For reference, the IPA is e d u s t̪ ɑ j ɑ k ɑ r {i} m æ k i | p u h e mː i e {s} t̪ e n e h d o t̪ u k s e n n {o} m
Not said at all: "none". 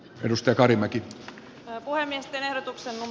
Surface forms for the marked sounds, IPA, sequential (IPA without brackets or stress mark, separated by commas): i, s, u